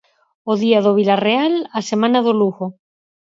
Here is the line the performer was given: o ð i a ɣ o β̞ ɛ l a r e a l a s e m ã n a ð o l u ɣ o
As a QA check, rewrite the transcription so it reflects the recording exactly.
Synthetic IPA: o ð i a ð o β̞ i l a r e a l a s e m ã n a ð o l u ɣ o